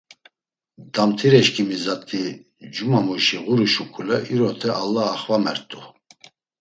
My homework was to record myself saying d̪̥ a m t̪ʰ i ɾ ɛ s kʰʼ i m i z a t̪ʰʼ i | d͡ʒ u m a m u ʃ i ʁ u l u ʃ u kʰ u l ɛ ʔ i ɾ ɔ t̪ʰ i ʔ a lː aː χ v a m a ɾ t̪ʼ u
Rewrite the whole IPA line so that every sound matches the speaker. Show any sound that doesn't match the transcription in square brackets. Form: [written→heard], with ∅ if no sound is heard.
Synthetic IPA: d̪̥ a m t̪ʰ i ɾ ɛ [s→ʃ] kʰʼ i m i z a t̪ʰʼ i | d͡ʒ u m a m u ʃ i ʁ u [l→ɾ] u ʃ u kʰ u l ɛ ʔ i ɾ ɔ t̪ʰ [i→ɛ] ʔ a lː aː χ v a m [a→ɛ] ɾ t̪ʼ u